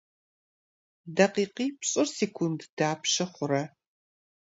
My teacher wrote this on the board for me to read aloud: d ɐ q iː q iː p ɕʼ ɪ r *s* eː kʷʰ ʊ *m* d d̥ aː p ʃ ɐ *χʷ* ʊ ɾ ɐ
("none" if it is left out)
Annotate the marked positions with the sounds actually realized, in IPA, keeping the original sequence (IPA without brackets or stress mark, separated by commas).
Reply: s, n, χʷ